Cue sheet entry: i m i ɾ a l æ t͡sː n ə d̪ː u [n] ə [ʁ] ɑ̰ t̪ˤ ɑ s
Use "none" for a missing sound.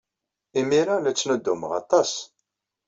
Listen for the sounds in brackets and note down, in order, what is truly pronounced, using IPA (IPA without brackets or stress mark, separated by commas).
m, ʁ